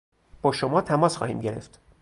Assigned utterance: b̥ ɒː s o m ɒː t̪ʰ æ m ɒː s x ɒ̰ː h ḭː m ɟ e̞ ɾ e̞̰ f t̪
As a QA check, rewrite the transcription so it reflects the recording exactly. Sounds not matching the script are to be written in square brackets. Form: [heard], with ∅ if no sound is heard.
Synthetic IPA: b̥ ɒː [ʃ] o m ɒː t̪ʰ æ m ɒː s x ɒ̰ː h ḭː m ɟ e̞ ɾ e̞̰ f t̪